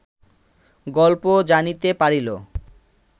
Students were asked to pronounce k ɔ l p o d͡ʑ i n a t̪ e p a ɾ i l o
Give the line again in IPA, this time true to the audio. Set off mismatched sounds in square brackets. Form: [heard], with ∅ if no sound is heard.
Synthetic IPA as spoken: [ɡ] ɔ l p o d͡ʑ [a] n [i] t̪ e p a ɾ i l o